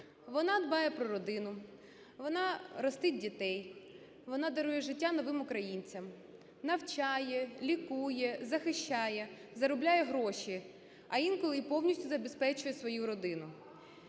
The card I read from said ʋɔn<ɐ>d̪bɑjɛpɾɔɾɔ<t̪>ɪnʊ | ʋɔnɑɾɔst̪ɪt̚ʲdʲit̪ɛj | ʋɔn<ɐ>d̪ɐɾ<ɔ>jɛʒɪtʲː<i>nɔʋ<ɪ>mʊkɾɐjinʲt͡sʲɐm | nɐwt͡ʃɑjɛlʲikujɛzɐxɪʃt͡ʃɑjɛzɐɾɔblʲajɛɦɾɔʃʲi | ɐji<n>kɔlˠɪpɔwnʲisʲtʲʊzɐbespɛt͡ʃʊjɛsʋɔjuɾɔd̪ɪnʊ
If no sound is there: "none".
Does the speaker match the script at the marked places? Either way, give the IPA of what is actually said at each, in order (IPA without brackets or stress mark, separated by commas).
ɑ, d̪, ɑ, u, a, ɪ, n